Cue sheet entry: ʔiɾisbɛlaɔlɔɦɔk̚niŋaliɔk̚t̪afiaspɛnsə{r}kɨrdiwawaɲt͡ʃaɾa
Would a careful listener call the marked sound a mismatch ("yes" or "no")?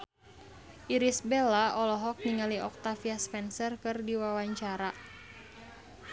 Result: no